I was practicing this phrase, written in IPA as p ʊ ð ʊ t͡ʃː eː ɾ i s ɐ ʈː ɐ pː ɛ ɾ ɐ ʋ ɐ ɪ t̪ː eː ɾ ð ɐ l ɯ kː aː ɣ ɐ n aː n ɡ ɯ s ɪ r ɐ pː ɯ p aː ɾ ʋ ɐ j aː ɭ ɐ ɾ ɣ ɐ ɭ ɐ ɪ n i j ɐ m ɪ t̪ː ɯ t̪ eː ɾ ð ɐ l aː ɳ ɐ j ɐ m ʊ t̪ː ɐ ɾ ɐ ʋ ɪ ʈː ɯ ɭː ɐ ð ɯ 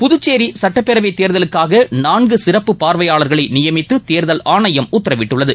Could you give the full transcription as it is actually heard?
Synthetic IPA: p ʊ ð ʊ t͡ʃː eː ɾ i s ɐ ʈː ɐ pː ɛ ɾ ɐ ʋ ɐ ɪ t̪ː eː ɾ ð ɐ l ɯ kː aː ɣ ɐ n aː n ɡ ɯ s ɪ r ɐ pː ɯ p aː ɾ ʋ ɐ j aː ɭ ɐ ɾ ɣ ɐ ɭ ɐ ɪ n ɪ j ɐ m ɪ t̪ː ɯ t̪ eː ɾ ð ɐ l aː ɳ ɐ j ɐ m ʊ t̪ː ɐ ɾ ɐ ʋ ɪ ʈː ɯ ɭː ɐ ð ɯ